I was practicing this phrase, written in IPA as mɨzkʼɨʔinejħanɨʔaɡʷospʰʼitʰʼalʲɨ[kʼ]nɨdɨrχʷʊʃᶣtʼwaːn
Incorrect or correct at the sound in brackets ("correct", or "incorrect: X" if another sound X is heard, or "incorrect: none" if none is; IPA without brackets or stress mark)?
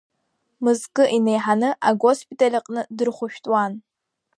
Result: incorrect: qʼ